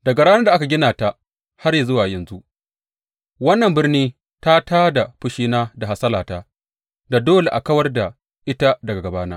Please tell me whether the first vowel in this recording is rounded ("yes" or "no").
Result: no